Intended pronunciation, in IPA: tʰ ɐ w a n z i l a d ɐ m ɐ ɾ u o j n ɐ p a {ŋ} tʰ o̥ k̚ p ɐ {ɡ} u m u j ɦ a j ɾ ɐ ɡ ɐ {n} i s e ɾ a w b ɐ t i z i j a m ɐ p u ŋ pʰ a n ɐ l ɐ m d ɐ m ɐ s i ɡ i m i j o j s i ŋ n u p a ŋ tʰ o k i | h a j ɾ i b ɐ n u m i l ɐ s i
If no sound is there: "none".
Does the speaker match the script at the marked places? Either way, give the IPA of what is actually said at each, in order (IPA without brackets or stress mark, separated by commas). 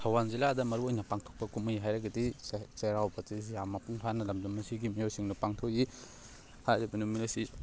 ŋ, k, d